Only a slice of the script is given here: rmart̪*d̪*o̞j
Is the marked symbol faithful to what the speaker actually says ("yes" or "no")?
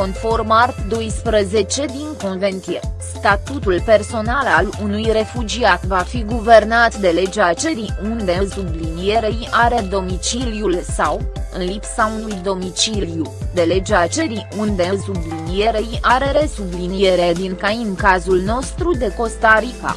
yes